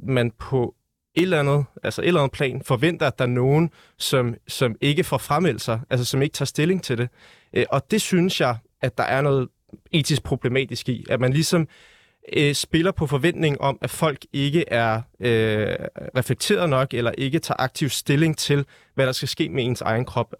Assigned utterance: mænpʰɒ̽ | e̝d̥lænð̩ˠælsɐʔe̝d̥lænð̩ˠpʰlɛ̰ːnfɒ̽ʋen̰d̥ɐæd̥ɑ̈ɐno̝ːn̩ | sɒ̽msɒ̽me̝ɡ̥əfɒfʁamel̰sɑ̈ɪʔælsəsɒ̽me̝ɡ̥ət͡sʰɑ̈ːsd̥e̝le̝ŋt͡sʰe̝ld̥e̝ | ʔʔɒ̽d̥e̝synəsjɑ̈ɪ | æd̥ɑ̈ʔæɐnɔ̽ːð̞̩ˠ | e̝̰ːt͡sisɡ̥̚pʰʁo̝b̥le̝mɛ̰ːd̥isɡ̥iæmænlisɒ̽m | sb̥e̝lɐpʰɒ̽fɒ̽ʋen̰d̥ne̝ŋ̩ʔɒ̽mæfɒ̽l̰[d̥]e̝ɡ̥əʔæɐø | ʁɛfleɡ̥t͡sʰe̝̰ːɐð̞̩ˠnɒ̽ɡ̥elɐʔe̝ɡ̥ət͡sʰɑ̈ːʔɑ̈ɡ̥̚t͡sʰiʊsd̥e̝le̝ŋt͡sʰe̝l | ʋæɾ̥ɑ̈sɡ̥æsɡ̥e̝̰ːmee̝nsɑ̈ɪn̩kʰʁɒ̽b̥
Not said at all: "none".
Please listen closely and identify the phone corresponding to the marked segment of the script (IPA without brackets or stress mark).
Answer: ɡ̥